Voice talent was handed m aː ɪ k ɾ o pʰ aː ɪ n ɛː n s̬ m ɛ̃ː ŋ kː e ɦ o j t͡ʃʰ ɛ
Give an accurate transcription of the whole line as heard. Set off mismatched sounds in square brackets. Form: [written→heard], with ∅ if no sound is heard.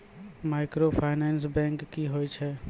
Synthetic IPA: m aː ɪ k ɾ o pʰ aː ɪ n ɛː n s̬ [m→b] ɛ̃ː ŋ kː [e→i] ɦ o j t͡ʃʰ ɛ